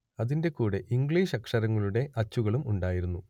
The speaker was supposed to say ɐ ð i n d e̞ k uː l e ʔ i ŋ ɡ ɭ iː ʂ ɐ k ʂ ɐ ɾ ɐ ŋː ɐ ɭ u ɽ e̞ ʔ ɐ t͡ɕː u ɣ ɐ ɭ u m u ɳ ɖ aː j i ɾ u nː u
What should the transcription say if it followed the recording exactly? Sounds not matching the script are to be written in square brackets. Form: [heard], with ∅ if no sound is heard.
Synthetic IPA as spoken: ɐ ð i n d e̞ k uː [ɽ] e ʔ i ŋ ɡ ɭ iː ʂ ɐ k ʂ ɐ ɾ ɐ ŋː ɐ ɭ u ɽ e̞ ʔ ɐ t͡ɕː u ɣ ɐ ɭ u m u ɳ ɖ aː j i ɾ u nː u